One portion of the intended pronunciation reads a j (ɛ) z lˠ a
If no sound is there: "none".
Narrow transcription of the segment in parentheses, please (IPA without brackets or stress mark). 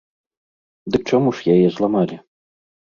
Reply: ɛ